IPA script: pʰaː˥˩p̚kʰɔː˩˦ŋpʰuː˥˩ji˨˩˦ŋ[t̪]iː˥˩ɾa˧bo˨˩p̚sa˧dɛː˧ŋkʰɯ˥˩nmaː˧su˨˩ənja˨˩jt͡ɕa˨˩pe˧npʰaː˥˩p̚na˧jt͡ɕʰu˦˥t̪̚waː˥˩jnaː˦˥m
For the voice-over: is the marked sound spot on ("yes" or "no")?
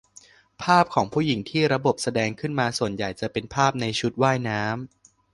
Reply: no